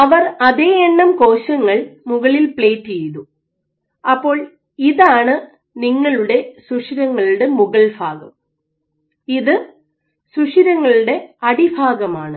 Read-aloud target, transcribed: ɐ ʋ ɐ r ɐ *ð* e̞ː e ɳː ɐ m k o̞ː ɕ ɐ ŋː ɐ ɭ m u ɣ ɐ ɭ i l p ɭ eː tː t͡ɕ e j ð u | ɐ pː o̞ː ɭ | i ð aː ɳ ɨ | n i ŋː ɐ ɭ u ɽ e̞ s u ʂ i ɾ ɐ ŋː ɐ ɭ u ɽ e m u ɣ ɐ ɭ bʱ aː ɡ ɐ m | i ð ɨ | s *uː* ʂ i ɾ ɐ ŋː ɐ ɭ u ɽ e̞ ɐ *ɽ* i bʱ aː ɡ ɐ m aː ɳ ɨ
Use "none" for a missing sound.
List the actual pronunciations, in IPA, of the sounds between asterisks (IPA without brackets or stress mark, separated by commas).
ð, u, ɽ